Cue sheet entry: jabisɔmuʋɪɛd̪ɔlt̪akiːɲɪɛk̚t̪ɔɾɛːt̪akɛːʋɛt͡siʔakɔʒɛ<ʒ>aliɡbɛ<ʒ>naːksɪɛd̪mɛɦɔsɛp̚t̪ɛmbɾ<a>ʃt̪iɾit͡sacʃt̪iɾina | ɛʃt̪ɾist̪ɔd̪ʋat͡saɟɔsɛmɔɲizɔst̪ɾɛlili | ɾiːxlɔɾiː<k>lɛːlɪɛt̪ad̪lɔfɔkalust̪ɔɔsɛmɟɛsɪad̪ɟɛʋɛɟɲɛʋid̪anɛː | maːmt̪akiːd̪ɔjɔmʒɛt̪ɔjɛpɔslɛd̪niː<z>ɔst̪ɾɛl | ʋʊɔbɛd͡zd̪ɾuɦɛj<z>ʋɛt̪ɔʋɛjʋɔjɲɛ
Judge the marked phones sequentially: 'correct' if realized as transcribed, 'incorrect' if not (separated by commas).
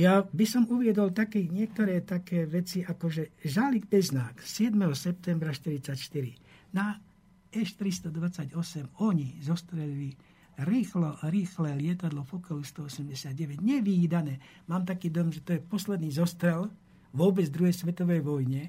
correct, incorrect, correct, incorrect, correct, incorrect